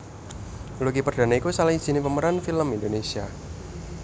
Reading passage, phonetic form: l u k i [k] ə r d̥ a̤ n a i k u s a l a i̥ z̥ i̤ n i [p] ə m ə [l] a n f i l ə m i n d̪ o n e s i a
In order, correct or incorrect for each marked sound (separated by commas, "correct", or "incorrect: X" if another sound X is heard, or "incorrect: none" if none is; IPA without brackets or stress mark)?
incorrect: p, correct, incorrect: ɾ